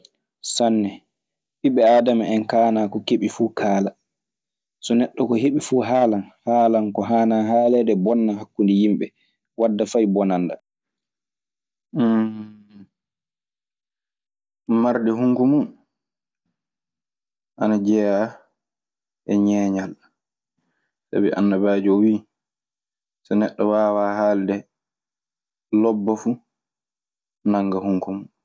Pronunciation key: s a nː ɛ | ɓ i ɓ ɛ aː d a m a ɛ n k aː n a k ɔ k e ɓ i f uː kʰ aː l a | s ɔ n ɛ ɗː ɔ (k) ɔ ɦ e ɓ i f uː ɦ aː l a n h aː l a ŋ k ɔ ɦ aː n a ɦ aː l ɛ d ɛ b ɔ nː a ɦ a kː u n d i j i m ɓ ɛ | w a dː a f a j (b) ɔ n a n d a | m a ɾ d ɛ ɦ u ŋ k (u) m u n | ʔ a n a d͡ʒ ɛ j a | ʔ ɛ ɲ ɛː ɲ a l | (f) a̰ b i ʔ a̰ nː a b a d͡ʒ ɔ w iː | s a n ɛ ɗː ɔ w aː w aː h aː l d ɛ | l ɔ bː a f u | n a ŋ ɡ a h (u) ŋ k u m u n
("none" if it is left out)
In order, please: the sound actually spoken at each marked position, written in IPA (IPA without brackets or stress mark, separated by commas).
k, b, u, s, u